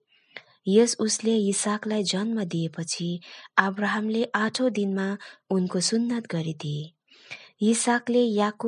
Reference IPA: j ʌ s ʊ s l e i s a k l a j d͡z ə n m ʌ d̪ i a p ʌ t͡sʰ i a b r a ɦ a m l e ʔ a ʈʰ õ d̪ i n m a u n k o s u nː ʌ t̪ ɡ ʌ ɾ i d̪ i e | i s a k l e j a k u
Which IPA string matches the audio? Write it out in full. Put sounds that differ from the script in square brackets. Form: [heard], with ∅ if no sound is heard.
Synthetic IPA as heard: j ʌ s [u] s l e i s a k l a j d͡z [ʌ] n m ʌ d̪ i [e] p ʌ t͡sʰ i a b r a ɦ a m l e ʔ a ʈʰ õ d̪ i n m a u n k o s u nː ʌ t̪ ɡ ʌ ɾ i d̪ i e | i s a k l e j a k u

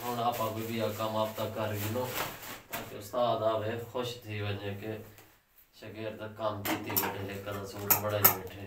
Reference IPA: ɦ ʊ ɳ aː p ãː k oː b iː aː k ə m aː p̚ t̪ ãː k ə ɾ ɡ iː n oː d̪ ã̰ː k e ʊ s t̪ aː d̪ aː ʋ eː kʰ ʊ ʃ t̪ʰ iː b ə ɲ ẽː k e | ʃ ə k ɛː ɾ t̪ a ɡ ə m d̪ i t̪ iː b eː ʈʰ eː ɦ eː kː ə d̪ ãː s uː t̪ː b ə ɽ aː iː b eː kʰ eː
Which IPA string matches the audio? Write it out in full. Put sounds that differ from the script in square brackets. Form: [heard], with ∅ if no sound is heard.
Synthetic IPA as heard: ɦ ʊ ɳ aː p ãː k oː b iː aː k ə m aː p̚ t̪ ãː k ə ɾ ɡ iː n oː [t̪] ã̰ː k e ʊ s t̪ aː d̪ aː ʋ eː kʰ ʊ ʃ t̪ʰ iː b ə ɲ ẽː k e | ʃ ə k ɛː ɾ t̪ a [k] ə m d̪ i t̪ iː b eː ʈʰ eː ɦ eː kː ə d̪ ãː s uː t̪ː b ə ɽ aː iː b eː [ʈʰ] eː

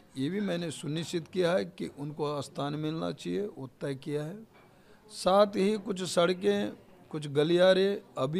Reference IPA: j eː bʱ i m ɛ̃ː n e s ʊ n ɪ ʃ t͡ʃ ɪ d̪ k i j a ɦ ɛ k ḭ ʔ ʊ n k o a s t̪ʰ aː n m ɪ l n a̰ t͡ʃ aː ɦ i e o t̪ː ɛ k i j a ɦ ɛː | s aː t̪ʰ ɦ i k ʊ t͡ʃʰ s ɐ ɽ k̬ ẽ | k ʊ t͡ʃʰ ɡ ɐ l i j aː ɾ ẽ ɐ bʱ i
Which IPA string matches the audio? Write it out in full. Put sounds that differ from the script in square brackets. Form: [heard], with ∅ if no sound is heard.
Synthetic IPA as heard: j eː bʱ i m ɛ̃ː n e s ʊ n ɪ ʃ t͡ʃ ɪ [t̪] k i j a ɦ ɛ k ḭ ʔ ʊ n k o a s t̪ʰ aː n m ɪ l n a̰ t͡ʃ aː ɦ i e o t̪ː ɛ k i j a ɦ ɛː | s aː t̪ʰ ɦ i k ʊ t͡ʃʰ s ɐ ɽ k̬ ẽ | k ʊ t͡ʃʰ ɡ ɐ l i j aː ɾ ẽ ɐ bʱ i

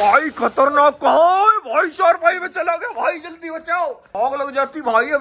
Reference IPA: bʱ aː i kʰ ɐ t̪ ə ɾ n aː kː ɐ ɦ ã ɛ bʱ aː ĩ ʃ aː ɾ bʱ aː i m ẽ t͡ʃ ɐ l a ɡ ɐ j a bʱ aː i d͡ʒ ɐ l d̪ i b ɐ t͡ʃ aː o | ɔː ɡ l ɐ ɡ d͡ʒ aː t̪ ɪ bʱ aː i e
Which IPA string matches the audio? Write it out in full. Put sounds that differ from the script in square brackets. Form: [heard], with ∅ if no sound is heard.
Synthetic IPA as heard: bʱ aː i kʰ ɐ t̪ ə ɾ n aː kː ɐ ɦ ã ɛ bʱ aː [i] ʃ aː ɾ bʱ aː i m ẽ t͡ʃ ɐ l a ɡ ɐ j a bʱ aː i d͡ʒ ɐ l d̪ i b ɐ t͡ʃ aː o | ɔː ɡ l ɐ ɡ d͡ʒ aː t̪ [i] bʱ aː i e

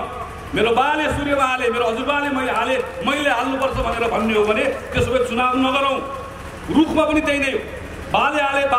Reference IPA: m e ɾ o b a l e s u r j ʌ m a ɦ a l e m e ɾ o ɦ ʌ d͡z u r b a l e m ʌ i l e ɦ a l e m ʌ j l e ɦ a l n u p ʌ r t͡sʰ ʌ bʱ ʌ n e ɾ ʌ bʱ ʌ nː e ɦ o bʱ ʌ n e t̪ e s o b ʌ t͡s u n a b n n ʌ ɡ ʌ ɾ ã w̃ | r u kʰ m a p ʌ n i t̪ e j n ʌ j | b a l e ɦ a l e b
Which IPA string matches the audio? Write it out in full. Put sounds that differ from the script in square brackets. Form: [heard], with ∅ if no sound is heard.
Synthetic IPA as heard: m e ɾ o b a l e s u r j ʌ m a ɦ a l e m e ɾ o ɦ ʌ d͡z u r b a l e m ʌ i l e ɦ a l e m ʌ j l e ɦ a l n u p ʌ r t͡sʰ ʌ bʱ ʌ n e ɾ ʌ bʱ ʌ nː e ɦ o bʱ ʌ n e t̪ e s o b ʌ t͡s u n a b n n ʌ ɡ ʌ ɾ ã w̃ | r u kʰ m a p ʌ n i t̪ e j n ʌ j | b a l e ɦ a l e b

